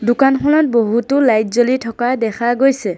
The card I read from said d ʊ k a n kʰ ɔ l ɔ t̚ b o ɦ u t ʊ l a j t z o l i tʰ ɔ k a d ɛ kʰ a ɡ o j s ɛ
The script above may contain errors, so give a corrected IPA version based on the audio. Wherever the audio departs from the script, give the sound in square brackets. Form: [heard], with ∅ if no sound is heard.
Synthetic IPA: d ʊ k a n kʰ ɔ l ɔ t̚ b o ɦ u t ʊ l a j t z o l i tʰ ɔ k a d ɛ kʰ a ɡ o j s ɛ